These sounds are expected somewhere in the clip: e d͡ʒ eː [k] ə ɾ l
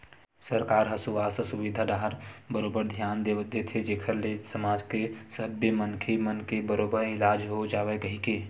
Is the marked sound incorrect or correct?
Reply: incorrect